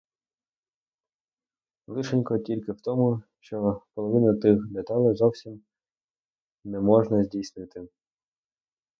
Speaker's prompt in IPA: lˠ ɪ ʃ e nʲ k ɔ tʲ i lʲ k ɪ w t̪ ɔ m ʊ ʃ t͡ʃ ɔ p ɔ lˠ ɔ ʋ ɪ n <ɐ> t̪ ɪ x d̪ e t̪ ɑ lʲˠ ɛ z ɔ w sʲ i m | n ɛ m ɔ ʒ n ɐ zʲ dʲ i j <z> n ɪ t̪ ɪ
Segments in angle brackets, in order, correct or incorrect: correct, incorrect

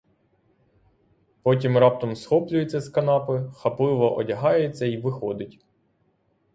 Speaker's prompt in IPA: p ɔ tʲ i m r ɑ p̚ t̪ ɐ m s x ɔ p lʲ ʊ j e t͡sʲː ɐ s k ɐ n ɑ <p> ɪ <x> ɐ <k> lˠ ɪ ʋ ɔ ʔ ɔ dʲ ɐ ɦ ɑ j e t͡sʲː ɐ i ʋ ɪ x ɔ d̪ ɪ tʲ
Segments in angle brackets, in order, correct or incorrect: correct, correct, incorrect

